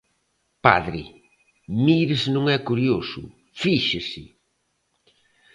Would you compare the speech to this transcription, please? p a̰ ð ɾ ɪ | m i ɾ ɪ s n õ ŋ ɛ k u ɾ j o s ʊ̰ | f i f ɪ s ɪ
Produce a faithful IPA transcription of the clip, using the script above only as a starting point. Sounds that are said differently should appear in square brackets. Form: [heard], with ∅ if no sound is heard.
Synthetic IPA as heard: p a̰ ð ɾ ɪ | m i ɾ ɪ s n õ ŋ ɛ k u ɾ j o s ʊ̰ | f i [ʃ] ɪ s ɪ